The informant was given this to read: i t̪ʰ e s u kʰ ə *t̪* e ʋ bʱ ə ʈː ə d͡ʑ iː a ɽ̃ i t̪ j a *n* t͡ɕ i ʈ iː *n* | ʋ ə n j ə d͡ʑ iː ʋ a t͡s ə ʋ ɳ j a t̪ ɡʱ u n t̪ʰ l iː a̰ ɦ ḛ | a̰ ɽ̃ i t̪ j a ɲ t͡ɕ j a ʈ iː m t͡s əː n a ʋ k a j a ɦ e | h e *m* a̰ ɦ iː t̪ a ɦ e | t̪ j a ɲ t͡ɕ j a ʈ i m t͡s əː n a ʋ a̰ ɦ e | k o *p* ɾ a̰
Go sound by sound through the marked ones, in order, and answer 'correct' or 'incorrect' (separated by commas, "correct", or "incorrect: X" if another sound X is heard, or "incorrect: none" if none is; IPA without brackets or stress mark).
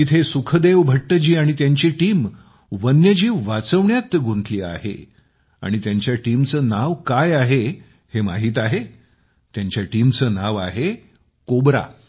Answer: incorrect: d̪, incorrect: ɲ, incorrect: m, correct, incorrect: b